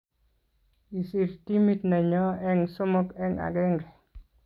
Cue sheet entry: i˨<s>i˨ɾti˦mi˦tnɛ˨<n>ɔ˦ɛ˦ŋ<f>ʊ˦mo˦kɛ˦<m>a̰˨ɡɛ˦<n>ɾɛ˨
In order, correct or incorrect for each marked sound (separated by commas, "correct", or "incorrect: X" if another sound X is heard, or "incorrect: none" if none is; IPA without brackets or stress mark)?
correct, incorrect: ɲ, incorrect: s, incorrect: ŋ, incorrect: ŋ